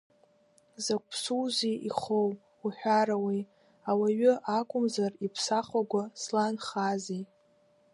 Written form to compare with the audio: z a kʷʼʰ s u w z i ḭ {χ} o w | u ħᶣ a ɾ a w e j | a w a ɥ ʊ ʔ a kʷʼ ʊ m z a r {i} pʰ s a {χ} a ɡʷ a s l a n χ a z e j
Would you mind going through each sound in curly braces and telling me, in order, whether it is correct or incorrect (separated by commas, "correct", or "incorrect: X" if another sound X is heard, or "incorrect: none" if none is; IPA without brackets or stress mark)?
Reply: correct, correct, correct